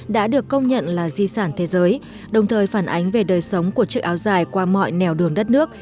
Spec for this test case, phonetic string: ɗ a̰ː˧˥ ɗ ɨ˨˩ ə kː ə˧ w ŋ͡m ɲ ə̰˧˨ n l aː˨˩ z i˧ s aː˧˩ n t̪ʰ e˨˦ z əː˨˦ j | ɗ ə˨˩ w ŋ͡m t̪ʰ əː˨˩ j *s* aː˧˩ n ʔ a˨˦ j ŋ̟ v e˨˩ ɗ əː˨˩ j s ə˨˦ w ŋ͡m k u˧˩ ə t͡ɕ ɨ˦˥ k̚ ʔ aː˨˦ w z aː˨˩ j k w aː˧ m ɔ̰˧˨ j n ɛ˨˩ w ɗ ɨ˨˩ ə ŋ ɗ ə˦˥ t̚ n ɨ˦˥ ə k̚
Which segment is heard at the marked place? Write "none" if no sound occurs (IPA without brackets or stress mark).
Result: f